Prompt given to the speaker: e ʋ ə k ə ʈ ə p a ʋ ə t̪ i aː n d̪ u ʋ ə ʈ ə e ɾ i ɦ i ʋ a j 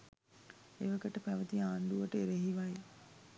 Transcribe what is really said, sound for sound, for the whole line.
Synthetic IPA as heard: e ʋ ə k ə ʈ ə p æ ʋ ə t̪ i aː n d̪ u ʋ ə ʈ ə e ɾ e ɦ i ʋ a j

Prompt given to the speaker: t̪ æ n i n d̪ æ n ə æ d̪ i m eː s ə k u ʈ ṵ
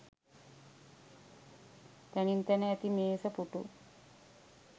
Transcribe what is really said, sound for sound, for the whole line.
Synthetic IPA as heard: t̪ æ n i n t̪ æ n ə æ t̪ i m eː s ə p u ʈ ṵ

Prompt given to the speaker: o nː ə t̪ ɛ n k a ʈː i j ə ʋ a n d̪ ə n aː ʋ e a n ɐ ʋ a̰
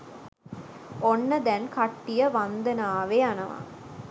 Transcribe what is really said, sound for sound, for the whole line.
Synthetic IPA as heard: o nː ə d̪ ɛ n k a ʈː i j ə ʋ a n d̪ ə n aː ʋ e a n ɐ ʋ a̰

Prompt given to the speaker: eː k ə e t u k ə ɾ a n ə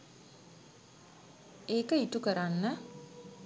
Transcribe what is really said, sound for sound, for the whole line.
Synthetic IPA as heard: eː k ə i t u k ə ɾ a nː ə

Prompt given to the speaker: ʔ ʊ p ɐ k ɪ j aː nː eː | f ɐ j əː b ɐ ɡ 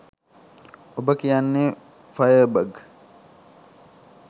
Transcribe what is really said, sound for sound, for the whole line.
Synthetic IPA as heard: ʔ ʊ b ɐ k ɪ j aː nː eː | f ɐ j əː b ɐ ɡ

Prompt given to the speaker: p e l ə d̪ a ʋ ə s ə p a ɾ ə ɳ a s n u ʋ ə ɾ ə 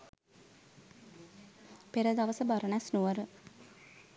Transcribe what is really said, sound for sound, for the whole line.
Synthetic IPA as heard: p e ɾ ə d̪ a ʋ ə s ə b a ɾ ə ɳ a s n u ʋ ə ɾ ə

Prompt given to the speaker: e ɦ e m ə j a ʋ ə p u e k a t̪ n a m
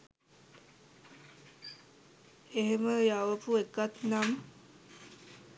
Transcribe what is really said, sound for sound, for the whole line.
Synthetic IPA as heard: e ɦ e m ə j a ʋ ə p u e k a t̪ n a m

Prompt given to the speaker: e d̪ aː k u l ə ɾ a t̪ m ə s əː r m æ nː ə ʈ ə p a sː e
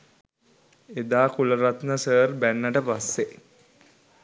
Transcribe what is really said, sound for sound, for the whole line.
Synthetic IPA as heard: e d̪ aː k u l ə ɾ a t̪ n ə s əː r b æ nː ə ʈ ə p a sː e

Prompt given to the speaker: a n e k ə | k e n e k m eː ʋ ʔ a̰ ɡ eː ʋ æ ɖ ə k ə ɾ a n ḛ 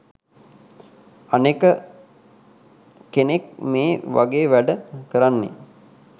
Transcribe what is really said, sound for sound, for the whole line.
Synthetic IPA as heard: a n e k ə | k e n e k m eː ʋ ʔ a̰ ɡ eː ʋ æ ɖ ə k ə ɾ a nː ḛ

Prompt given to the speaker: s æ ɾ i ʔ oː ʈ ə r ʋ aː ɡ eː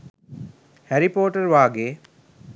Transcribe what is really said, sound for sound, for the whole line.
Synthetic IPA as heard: h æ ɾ i p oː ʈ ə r ʋ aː ɡ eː

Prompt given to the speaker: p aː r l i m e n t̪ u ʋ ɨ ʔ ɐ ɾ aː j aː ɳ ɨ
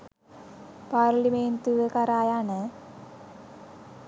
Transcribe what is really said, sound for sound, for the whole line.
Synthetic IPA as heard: p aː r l i m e n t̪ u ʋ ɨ k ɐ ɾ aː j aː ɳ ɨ

